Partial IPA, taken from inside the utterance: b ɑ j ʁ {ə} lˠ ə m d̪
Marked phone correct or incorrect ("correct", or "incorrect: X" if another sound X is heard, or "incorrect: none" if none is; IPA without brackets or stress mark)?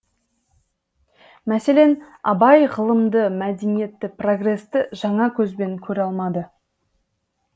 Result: correct